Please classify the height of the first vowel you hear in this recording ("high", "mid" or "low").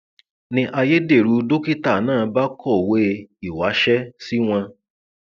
high